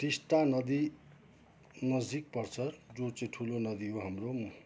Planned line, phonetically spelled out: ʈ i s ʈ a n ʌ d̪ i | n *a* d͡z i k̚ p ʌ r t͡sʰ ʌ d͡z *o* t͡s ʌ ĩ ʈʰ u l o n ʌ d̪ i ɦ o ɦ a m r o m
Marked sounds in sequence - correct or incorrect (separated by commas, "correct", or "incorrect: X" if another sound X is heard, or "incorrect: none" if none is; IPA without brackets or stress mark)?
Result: incorrect: ʌ, correct